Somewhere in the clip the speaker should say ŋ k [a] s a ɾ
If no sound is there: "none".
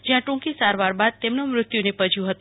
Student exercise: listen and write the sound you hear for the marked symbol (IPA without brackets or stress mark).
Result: i